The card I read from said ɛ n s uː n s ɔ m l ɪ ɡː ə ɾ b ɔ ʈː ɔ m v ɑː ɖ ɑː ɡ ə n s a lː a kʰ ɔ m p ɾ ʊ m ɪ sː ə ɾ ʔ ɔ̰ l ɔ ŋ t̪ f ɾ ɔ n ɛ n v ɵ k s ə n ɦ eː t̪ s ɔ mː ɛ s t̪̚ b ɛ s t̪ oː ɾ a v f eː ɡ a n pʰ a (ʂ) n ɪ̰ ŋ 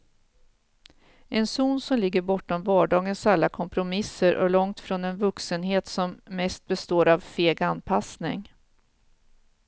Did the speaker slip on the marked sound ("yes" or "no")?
yes